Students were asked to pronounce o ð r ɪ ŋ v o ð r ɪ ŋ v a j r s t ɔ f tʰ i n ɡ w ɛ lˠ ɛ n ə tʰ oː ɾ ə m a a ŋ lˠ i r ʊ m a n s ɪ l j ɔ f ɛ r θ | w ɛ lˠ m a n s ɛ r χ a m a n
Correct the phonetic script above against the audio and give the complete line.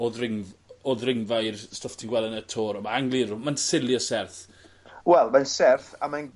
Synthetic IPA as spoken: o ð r ɪ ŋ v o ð r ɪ ŋ v a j r s t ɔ f tʰ i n ɡ w ɛ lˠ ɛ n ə tʰ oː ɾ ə m a a ŋ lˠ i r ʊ m a n s ɪ l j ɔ s ɛ r θ | w ɛ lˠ m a n s ɛ r θ a m a n